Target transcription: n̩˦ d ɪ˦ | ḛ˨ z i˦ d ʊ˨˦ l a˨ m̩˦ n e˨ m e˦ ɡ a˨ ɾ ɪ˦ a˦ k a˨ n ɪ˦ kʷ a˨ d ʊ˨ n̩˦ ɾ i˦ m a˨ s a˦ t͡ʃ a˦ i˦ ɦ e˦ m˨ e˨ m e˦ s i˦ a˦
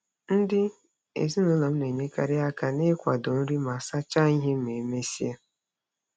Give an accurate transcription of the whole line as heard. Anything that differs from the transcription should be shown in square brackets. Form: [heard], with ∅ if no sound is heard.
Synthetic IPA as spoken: n̩˦ d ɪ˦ | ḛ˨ z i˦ [n] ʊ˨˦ l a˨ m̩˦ n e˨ [ɲ] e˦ [k] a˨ ɾ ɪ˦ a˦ k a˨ n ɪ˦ kʷ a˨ d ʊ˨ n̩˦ ɾ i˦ m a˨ s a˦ t͡ʃ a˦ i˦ ɦ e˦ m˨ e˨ m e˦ s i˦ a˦